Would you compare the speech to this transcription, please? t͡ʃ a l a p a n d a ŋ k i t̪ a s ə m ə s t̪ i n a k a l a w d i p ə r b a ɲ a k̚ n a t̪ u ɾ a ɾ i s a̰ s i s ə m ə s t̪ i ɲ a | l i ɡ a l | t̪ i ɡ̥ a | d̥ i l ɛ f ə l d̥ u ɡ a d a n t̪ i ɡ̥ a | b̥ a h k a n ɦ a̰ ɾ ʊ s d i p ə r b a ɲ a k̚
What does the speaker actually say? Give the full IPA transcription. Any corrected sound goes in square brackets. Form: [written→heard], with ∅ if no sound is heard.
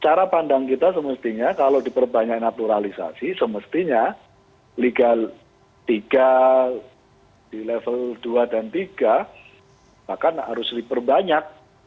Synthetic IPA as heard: t͡ʃ a [l→ɾ] a p a n d a ŋ k i t̪ a s ə m ə s t̪ i [n→ɲ] a k a l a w d i p ə r b a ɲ a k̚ n a t̪ u ɾ a [ɾ→l] i s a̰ s i s ə m ə s t̪ i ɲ a | l i ɡ a l | t̪ i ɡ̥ a | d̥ i l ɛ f ə l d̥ u [ɡ→∅] a d a n t̪ i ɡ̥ a | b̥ a h k a n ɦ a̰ ɾ ʊ s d i p ə r b a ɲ a k̚

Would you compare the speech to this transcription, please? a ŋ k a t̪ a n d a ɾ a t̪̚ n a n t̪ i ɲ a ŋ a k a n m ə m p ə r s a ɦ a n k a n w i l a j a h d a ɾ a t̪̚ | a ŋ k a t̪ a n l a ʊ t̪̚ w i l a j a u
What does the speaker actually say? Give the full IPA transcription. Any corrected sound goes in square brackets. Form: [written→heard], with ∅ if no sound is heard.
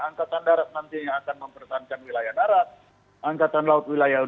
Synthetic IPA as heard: a ŋ k a t̪ a n d a ɾ a t̪̚ n a n t̪ i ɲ a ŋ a k a n m ə m p ə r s a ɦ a n k a n w i l a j a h d a ɾ a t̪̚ | a ŋ k a t̪ a n l a ʊ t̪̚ w i l a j a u

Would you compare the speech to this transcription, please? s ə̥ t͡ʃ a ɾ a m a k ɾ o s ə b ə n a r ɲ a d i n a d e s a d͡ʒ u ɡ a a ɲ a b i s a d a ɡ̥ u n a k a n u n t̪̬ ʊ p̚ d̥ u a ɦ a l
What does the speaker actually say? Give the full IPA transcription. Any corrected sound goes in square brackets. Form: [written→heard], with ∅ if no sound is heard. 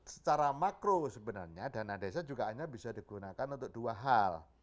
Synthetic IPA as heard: s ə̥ t͡ʃ a ɾ a m a k ɾ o s ə b ə n a r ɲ a d [i→a] n a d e s a d͡ʒ u ɡ a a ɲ a b i s a d [a→i] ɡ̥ u n a k a n u n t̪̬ ʊ [p̚→k̚] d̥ u a ɦ a l

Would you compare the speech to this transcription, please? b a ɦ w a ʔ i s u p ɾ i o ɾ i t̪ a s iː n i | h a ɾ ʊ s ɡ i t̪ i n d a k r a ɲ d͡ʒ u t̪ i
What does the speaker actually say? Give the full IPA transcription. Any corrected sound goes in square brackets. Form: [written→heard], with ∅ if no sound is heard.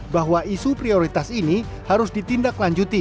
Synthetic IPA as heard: b a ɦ w a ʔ i s u p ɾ i o ɾ i t̪ a s [iː→i] n i | h a ɾ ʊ s [ɡ→d] i t̪ i n d a k [r→l] a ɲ d͡ʒ u t̪ i

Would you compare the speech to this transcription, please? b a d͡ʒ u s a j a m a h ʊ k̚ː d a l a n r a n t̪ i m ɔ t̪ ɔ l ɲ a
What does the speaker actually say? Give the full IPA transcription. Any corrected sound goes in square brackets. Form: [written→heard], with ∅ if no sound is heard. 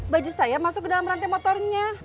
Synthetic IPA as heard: b a d͡ʒ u s a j a m a [h→s] ʊ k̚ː d a l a [n→m] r a n t̪ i m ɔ t̪ ɔ [l→r] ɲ a

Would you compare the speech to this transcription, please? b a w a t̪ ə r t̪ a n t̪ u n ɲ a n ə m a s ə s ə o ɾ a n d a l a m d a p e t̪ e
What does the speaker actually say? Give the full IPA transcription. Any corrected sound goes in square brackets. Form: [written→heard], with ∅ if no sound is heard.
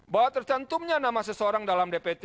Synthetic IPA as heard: b a w a t̪ ə r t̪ a n t̪ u [n→m] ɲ a n [ə→a] m a s ə s ə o ɾ a [n→ŋ] d a l a m d [a→e] p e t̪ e

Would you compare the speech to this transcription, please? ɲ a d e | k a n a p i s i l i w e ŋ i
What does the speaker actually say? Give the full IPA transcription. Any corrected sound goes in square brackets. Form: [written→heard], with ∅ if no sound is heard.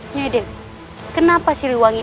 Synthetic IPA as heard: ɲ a d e | k [a→ə] n a p [i→a] s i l i w [e→a] ŋ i

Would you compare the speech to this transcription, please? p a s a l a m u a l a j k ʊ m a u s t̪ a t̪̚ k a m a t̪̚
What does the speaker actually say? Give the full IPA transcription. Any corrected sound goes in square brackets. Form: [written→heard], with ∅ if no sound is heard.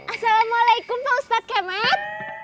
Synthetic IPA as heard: [p→ʔ] a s a l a m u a l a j k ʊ m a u s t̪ a t̪̚ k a m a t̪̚

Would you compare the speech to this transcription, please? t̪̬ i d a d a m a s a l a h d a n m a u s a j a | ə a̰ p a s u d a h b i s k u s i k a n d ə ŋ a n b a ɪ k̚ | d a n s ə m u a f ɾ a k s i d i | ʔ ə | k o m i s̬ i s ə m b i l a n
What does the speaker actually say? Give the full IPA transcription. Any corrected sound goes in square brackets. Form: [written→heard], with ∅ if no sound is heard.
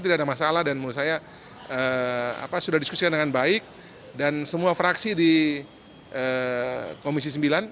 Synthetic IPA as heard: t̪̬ i d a d a m a s a l a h d a n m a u s a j a | ə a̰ p a s u d a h [b→d] i s k u s i k a n d ə ŋ a n b a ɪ k̚ | d a n s ə m u a f ɾ a k s i d i | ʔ ə | k o m i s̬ i s ə m b i l a n

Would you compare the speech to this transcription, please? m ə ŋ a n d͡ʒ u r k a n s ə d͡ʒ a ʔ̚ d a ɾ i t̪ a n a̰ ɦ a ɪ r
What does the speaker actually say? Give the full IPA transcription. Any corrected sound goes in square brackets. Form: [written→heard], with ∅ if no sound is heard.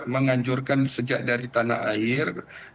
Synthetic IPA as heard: m ə ŋ a [n→ɲ] d͡ʒ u r k a n s ə d͡ʒ a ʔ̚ d a ɾ i t̪ a n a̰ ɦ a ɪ r

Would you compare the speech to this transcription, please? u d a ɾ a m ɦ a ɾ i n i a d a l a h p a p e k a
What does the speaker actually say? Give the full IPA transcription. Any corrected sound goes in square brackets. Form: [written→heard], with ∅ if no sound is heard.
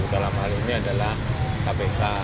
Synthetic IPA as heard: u d a [ɾ→l] a m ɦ a [ɾ→l] i n i a d a l a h [p→k] a p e k a

